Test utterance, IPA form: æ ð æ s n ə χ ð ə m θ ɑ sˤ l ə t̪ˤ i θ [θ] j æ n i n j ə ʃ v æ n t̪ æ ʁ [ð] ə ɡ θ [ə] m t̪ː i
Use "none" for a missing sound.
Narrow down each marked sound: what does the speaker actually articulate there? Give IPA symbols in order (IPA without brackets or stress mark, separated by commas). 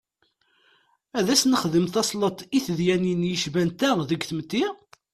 ð, ð, ə